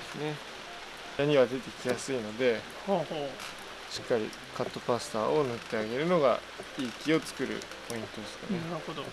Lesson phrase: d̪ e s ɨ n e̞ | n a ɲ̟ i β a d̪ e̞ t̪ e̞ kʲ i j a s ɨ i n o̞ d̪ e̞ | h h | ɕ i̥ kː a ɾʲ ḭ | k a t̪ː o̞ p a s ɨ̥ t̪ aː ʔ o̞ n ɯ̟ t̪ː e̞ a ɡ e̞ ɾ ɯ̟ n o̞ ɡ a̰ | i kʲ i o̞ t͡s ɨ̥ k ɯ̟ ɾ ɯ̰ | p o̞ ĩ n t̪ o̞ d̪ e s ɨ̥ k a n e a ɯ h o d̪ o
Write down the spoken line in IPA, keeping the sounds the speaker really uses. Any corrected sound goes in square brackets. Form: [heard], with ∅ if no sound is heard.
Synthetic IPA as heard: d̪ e s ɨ n e̞ | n a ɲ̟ i β a d̪ e̞ t̪ e̞ kʲ i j a s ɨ i n o̞ d̪ e̞ | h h | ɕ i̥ kː a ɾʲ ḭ | k a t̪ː o̞ p a s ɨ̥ t̪ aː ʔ o̞ n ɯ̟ t̪ː e̞ a ɡ e̞ ɾ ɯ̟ n o̞ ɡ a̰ | [iː] kʲ i o̞ t͡s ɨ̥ k ɯ̟ ɾ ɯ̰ | p o̞ ĩ n t̪ o̞ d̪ e s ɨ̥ k a n e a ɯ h o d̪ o